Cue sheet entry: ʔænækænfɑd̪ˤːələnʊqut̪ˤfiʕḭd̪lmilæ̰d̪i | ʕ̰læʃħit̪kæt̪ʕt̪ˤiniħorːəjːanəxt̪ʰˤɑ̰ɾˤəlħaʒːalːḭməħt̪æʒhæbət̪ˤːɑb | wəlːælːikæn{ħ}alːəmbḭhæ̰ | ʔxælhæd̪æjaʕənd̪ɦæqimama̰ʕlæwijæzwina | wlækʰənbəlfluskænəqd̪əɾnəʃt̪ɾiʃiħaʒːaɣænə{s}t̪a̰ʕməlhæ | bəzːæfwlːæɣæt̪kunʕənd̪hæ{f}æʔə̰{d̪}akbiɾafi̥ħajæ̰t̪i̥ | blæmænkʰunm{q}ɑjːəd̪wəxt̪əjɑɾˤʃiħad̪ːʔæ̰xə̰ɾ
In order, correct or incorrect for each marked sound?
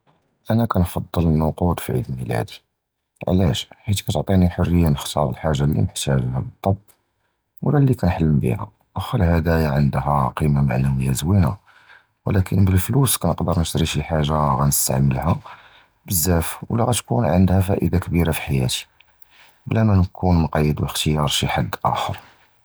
correct, correct, correct, correct, correct

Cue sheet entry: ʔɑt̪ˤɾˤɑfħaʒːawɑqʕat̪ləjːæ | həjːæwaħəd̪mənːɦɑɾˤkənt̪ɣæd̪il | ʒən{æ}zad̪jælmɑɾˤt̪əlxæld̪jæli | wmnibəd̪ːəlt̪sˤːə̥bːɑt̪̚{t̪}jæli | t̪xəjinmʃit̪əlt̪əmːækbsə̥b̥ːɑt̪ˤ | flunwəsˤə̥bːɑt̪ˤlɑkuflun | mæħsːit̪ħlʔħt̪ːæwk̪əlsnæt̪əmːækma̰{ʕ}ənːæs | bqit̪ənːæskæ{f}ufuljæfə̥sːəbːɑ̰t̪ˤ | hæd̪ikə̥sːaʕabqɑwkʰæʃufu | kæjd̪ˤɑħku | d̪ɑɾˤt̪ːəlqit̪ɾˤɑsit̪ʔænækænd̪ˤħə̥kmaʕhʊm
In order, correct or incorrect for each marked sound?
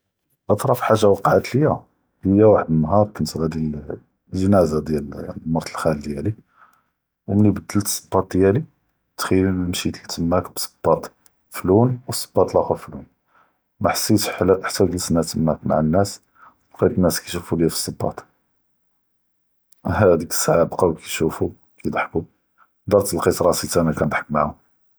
correct, incorrect, correct, incorrect

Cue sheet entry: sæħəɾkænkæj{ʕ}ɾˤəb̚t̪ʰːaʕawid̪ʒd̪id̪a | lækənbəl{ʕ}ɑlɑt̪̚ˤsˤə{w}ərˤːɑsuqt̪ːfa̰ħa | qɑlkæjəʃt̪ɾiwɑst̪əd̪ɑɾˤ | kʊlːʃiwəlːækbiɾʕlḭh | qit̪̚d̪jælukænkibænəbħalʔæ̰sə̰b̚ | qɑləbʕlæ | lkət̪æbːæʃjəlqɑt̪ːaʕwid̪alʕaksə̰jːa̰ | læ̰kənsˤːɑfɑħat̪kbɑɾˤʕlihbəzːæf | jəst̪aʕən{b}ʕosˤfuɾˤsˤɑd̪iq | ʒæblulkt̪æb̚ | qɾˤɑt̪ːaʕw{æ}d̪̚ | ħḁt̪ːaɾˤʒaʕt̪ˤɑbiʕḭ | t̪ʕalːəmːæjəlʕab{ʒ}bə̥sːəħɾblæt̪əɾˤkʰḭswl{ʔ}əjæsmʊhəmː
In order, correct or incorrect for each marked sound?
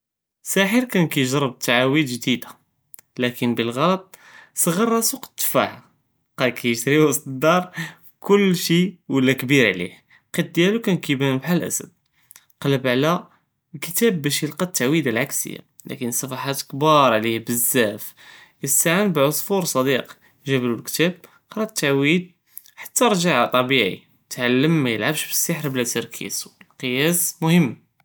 incorrect, incorrect, incorrect, correct, incorrect, incorrect, incorrect

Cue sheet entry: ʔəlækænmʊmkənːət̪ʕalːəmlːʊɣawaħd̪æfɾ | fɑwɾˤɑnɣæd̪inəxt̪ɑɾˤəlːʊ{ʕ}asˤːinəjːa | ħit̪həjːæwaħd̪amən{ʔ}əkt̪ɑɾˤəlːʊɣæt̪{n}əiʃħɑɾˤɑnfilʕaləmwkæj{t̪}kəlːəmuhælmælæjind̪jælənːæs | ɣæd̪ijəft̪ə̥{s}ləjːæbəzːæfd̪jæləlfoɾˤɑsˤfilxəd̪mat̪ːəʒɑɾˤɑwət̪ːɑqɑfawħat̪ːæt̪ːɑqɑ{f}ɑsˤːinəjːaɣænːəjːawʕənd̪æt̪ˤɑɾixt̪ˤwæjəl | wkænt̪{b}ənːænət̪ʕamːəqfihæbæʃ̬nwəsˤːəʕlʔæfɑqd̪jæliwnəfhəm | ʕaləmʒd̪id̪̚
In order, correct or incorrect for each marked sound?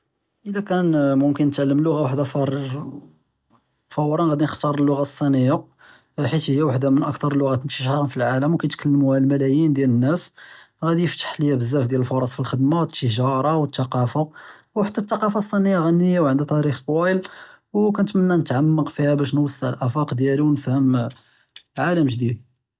incorrect, correct, correct, correct, incorrect, correct, incorrect

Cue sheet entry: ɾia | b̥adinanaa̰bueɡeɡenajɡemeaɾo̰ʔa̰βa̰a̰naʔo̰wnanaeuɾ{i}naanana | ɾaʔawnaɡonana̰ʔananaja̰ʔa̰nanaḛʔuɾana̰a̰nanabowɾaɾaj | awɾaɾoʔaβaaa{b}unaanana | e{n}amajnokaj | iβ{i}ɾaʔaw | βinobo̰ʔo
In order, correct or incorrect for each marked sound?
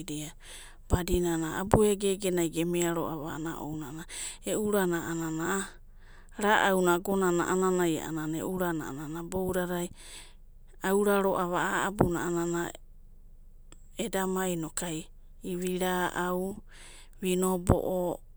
incorrect, correct, incorrect, correct

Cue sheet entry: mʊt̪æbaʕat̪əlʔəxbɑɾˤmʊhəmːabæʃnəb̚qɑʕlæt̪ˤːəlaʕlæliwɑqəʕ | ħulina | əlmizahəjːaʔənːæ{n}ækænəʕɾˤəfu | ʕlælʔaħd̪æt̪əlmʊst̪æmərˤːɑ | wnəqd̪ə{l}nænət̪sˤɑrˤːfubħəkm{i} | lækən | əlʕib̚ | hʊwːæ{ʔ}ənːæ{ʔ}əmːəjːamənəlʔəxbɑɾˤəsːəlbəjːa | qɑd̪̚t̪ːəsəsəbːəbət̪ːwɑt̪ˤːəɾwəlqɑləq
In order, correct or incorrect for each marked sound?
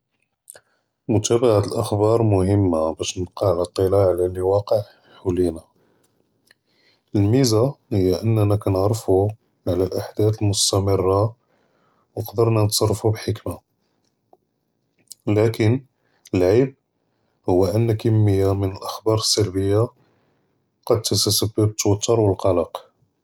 correct, incorrect, incorrect, correct, incorrect

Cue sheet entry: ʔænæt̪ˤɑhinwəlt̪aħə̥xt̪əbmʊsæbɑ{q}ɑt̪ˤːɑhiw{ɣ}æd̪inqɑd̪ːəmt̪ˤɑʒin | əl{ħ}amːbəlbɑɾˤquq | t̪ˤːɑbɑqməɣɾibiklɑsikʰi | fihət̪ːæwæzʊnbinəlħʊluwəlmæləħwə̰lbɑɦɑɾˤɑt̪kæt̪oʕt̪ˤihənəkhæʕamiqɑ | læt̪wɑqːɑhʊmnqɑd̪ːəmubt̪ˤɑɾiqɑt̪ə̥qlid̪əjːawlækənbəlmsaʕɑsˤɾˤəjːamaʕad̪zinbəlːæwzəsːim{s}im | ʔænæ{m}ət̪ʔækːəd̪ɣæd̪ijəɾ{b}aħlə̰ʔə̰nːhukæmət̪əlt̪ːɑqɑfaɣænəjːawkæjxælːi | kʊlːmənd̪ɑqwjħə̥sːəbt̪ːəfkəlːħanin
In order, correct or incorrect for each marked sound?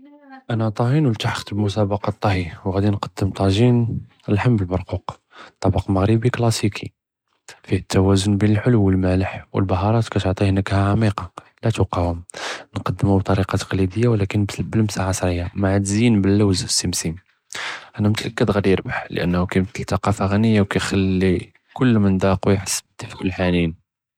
correct, correct, correct, correct, correct, correct

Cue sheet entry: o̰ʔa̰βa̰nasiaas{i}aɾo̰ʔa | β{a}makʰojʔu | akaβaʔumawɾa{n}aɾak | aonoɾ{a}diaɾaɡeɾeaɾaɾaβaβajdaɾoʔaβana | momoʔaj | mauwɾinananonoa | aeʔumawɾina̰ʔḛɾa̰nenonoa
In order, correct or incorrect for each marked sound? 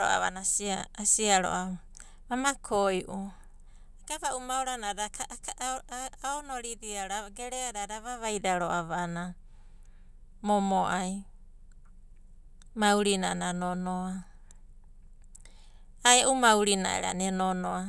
correct, correct, correct, incorrect

